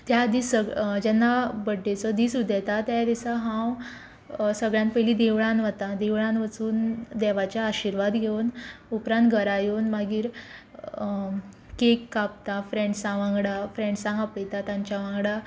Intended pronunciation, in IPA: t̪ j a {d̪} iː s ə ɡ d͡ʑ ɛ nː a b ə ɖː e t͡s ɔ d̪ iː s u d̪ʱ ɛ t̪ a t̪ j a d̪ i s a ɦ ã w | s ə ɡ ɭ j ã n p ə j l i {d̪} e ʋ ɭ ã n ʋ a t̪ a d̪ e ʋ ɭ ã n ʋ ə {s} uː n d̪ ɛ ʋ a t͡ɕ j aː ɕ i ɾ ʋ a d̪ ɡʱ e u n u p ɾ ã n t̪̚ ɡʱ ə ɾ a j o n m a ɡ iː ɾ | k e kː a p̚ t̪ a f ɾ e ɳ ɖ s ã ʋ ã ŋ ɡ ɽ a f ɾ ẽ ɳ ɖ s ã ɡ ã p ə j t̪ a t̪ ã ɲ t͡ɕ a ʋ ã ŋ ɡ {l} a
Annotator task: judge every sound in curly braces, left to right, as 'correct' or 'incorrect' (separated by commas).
correct, correct, incorrect, incorrect